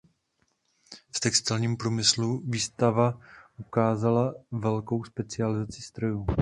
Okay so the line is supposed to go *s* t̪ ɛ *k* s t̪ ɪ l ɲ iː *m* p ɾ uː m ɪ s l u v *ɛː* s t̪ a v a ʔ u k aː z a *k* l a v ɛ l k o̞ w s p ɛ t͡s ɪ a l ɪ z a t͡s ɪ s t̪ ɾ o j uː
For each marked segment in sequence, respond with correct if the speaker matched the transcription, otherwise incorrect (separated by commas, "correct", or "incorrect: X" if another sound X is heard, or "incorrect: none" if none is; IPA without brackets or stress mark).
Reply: incorrect: f, correct, correct, incorrect: iː, incorrect: none